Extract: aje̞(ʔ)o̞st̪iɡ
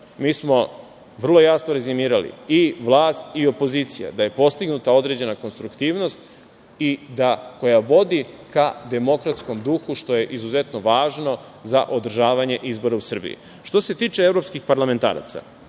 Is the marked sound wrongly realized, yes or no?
yes